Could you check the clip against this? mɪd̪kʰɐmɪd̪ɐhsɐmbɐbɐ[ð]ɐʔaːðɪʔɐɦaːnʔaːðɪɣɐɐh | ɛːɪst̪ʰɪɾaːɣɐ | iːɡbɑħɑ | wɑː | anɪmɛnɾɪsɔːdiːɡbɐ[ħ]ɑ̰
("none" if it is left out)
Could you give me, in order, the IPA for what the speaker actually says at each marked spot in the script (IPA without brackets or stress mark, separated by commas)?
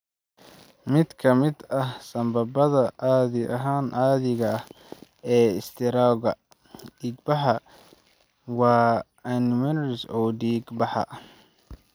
ð, ħ